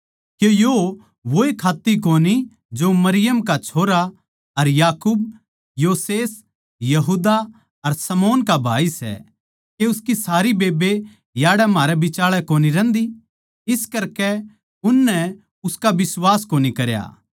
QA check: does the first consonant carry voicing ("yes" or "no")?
no